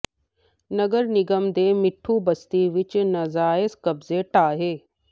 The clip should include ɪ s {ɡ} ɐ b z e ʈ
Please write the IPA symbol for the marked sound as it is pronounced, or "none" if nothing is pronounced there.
k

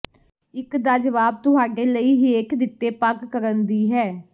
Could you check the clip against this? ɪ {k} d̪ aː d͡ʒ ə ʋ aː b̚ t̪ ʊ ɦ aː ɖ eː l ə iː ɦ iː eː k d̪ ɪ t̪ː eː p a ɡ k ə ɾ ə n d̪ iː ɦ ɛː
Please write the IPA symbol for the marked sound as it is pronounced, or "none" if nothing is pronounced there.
k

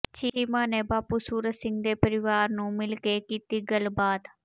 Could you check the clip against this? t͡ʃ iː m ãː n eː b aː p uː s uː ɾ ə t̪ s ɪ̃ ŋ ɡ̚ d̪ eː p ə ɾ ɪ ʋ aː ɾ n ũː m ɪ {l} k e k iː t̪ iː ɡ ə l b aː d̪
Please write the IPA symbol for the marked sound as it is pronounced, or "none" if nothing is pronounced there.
l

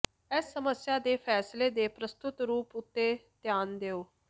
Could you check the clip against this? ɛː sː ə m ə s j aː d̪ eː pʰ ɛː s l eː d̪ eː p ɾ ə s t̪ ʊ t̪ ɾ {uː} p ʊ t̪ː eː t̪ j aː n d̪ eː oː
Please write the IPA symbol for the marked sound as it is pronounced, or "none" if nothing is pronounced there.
uː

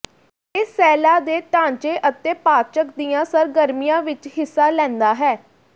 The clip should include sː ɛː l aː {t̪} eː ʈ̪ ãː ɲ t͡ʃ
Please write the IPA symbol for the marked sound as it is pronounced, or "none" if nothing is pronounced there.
d̪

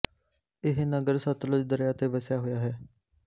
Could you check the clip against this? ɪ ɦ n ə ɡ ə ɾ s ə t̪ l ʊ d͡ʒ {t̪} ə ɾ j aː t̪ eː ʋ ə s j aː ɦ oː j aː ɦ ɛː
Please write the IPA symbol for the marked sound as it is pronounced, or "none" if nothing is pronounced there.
d̪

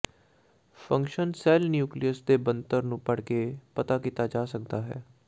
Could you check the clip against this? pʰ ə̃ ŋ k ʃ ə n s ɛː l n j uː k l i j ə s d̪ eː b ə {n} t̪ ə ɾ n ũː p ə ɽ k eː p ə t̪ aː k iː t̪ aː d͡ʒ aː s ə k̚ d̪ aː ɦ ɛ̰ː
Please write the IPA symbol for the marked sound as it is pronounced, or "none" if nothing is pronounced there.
n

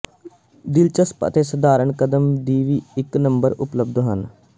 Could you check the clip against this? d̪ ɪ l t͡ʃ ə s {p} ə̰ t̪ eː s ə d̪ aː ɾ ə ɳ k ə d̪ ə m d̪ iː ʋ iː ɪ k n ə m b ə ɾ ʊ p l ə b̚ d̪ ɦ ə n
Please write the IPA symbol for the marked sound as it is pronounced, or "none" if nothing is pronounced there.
p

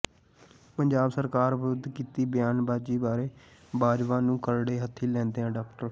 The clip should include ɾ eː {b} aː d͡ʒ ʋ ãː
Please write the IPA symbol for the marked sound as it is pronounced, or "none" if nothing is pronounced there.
b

